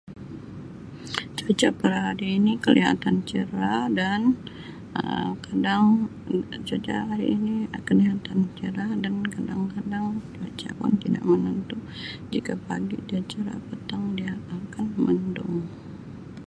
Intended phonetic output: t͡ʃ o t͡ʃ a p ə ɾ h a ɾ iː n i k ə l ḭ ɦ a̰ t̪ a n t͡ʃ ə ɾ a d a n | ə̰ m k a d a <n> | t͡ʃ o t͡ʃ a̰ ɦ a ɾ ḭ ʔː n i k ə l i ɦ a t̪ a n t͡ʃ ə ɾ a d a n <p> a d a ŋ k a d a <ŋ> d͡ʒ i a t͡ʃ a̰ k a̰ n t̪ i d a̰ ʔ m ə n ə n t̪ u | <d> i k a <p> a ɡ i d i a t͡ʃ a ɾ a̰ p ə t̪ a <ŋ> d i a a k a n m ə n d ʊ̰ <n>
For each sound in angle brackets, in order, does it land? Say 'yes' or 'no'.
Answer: no, no, yes, no, yes, yes, no

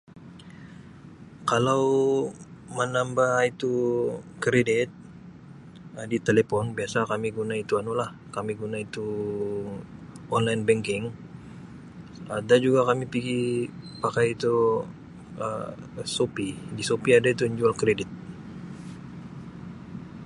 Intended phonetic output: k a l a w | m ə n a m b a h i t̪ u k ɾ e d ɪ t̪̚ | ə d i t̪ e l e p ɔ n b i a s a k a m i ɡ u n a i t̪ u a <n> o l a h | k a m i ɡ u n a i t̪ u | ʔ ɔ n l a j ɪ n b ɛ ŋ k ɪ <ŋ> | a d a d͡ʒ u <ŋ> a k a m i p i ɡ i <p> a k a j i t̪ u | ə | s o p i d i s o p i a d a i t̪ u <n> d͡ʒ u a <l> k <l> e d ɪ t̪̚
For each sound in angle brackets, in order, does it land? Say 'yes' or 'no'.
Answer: yes, yes, no, yes, no, yes, no

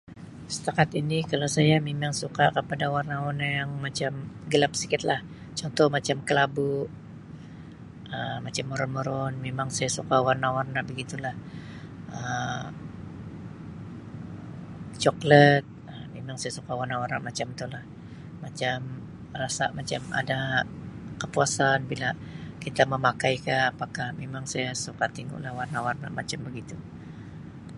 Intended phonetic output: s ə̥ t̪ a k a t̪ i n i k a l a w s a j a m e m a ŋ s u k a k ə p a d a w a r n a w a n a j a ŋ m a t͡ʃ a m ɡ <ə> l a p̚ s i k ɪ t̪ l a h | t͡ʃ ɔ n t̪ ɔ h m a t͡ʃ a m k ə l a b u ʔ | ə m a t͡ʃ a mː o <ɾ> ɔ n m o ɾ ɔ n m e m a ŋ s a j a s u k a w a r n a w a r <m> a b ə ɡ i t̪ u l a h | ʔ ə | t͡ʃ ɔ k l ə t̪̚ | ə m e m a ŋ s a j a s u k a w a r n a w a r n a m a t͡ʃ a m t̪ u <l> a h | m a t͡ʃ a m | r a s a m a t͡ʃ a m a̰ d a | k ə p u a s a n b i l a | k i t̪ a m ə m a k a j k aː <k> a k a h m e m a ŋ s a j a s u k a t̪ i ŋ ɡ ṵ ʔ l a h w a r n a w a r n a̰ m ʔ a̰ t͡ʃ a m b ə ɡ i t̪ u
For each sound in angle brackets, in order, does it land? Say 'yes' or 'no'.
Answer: yes, yes, no, yes, no

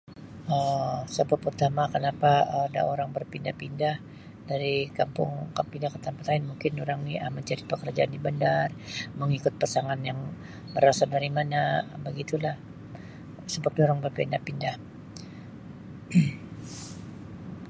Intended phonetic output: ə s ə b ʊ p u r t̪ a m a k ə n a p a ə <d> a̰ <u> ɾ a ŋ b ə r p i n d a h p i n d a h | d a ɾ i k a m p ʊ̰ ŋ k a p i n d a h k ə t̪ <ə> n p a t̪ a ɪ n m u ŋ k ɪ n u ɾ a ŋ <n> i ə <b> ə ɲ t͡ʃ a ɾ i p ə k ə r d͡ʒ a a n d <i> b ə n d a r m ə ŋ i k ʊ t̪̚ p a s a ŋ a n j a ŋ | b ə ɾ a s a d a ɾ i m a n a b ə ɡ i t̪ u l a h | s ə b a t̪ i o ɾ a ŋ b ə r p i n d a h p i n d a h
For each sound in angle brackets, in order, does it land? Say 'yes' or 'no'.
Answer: yes, no, no, yes, no, yes

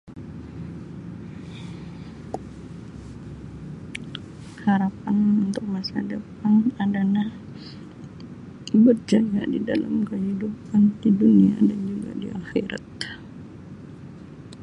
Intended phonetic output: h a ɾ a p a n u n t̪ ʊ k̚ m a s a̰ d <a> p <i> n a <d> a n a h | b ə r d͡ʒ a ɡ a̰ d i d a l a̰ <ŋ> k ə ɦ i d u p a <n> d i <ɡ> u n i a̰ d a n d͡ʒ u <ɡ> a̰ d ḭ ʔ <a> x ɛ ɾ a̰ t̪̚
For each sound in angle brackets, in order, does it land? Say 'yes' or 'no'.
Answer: no, no, yes, no, yes, no, yes, yes

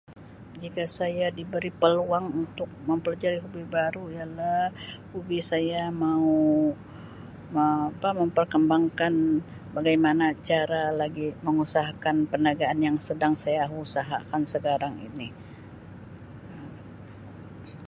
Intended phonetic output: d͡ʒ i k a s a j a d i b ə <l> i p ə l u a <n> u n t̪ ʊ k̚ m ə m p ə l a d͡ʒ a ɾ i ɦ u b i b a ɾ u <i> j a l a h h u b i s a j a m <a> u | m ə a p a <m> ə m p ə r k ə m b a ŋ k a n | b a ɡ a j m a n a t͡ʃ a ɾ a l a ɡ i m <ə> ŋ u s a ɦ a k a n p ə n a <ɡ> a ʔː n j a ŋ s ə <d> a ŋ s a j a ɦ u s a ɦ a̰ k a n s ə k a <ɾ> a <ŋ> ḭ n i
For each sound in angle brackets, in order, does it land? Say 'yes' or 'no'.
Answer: no, no, yes, yes, yes, yes, yes, yes, yes, yes

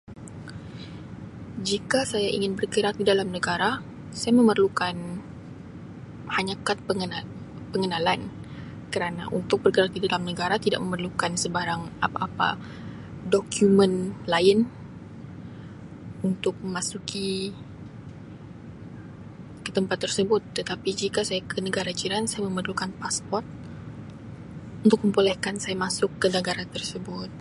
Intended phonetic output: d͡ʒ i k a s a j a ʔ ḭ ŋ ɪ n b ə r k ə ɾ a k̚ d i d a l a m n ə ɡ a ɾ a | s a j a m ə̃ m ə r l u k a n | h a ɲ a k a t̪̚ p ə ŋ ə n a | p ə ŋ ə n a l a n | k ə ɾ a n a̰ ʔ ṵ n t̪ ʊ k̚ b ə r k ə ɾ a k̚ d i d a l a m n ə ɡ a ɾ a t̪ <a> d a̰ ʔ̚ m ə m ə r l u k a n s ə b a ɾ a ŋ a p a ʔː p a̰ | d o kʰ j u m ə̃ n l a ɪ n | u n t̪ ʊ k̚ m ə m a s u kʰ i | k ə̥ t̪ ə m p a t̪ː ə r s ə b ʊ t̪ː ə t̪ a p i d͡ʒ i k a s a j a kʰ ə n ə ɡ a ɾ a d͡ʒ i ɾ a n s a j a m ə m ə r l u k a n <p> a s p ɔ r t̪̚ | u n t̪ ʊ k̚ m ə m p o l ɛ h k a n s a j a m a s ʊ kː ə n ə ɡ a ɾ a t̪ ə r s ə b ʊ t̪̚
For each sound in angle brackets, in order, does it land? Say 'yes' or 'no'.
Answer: no, yes

